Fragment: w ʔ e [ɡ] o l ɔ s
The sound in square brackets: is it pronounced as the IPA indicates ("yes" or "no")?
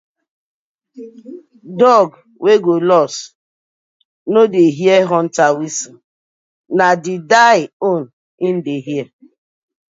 yes